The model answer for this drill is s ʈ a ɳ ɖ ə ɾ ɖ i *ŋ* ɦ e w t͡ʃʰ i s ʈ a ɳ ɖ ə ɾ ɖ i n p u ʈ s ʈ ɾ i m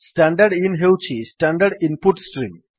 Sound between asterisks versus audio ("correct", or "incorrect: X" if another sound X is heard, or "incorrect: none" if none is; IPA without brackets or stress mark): incorrect: n